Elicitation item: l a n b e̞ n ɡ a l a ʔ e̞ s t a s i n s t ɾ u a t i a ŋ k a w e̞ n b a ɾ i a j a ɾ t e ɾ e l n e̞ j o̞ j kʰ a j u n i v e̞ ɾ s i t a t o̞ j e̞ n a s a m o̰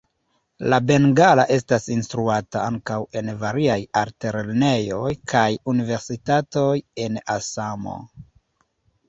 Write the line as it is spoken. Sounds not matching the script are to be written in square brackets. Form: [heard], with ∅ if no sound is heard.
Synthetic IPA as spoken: l a [∅] b e̞ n ɡ a l a ʔ e̞ s t a s i n s t ɾ u a t [a] a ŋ k a w e̞ n [v] a ɾ i a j a ɾ t e ɾ e l n e̞ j o̞ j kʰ a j u n i v e̞ ɾ s i t a t o̞ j e̞ n a s a m o̰